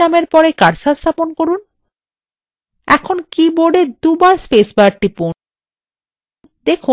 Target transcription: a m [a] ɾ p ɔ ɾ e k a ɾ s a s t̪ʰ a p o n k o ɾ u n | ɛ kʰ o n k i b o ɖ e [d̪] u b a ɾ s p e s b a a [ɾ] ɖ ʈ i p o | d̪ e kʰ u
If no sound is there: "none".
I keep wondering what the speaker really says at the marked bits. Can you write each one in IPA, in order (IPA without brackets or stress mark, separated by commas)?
e, d̪, none